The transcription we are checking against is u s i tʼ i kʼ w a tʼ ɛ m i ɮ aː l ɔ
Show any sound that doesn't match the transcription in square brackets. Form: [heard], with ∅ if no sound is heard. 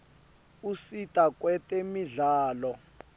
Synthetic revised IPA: u s i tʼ [a] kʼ w [ɛ] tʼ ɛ m i ɮ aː l ɔ